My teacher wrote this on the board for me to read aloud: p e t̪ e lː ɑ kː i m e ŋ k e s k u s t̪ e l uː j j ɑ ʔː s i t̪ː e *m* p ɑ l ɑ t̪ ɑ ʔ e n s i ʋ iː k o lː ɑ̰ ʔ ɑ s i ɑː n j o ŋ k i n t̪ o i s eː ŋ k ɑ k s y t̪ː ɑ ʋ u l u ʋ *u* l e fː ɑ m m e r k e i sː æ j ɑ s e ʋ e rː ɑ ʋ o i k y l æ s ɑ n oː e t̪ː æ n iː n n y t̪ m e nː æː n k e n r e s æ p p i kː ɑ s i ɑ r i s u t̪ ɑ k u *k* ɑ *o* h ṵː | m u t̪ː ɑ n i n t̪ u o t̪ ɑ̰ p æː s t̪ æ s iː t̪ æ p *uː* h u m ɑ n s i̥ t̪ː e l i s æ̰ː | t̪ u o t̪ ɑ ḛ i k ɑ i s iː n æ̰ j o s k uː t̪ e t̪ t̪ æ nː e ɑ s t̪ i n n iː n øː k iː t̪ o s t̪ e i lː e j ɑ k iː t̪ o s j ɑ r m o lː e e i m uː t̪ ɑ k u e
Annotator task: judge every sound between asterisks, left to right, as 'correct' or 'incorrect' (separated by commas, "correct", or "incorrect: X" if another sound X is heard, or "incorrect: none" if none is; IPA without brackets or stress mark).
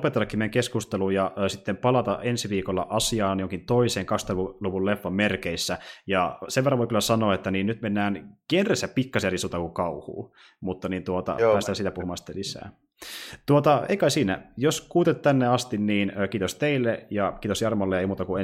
correct, correct, correct, incorrect: u, incorrect: u